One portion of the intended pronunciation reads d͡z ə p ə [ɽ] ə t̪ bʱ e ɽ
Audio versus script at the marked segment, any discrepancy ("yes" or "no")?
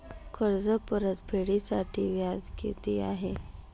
yes